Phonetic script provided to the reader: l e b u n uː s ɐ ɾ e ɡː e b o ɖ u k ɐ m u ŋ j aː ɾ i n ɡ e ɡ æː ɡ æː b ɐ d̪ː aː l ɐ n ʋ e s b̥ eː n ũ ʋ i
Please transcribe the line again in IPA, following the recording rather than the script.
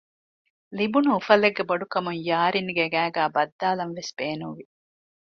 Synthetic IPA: l i b u n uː f ɐ l e ɡː e b o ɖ u k ɐ m u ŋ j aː ɾ i n ɡ e ɡ æː ɡ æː b ɐ d̪ː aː l ɐ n ʋ e s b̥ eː n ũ ʋ i